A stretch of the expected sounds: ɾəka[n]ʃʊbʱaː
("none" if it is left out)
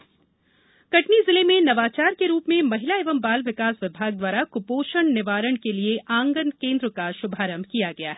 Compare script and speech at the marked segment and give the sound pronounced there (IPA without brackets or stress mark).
none